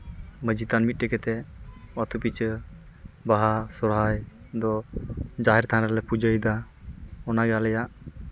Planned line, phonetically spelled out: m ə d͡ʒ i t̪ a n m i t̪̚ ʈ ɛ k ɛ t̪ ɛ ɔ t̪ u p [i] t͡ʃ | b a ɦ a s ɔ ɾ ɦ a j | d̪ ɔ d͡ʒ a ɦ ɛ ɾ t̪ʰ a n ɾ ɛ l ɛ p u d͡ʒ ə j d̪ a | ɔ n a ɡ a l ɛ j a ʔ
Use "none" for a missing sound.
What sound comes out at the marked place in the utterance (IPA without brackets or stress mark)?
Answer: i